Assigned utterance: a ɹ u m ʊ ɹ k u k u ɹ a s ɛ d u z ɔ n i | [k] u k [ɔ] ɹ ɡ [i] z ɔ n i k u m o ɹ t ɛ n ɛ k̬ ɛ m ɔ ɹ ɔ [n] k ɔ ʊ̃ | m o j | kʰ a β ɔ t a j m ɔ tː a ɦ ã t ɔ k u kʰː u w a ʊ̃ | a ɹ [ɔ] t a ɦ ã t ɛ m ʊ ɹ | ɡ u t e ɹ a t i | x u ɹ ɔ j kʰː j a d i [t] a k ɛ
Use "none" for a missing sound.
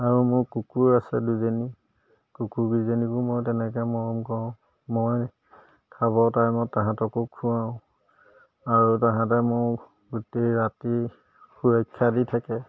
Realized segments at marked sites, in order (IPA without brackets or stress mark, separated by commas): k, u, i, m, u, tʰ